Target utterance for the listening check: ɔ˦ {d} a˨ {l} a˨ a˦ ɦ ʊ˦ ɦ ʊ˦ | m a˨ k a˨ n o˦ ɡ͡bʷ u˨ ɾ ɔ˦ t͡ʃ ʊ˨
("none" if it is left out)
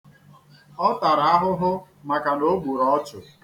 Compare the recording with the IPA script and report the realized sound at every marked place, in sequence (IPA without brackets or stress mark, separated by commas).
t, ɾ